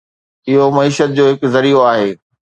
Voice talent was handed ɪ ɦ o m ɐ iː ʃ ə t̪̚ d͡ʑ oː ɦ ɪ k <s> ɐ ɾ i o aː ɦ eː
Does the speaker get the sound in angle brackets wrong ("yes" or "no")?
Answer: yes